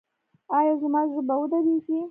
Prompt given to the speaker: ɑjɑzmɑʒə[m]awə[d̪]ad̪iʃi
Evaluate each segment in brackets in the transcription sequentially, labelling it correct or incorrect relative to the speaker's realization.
incorrect, correct

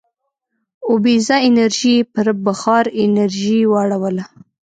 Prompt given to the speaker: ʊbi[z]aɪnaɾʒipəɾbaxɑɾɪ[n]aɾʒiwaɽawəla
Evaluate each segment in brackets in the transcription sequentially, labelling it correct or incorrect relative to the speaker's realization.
correct, correct

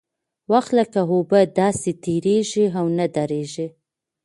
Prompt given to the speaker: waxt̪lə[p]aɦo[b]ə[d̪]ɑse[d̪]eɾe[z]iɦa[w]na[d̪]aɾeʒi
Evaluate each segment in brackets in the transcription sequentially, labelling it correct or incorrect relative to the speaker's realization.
incorrect, correct, correct, incorrect, incorrect, correct, correct

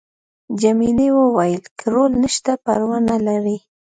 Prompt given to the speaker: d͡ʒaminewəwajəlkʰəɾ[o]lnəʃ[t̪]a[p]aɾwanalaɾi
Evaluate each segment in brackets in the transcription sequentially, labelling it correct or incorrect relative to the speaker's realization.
correct, correct, correct

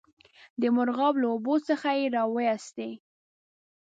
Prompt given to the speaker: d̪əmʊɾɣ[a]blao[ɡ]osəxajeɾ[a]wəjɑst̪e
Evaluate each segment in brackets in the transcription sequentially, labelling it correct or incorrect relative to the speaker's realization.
incorrect, incorrect, incorrect

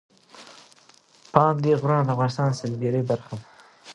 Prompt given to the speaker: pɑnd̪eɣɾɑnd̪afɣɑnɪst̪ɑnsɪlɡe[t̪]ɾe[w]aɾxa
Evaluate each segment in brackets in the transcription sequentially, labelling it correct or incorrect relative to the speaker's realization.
incorrect, incorrect

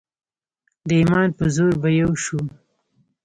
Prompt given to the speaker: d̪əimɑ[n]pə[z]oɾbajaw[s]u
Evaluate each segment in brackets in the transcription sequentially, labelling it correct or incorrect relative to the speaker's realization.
correct, correct, incorrect

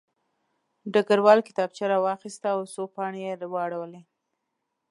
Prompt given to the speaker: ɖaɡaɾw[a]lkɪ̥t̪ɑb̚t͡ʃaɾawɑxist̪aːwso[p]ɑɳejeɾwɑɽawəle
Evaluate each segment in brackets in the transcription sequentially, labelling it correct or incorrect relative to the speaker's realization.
incorrect, correct

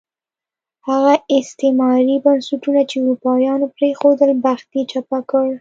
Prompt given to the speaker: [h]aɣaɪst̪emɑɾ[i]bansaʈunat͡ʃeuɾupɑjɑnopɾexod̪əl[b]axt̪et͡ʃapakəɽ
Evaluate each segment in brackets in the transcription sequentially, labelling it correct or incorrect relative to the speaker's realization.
correct, correct, correct

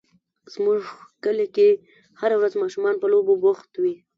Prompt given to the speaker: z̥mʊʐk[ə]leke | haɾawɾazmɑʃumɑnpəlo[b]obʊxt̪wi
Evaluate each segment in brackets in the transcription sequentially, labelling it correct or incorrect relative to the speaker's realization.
correct, correct

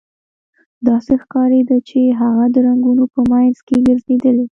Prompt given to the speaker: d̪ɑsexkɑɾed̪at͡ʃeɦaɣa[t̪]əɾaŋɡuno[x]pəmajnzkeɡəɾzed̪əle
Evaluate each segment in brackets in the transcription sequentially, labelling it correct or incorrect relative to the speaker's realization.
incorrect, incorrect

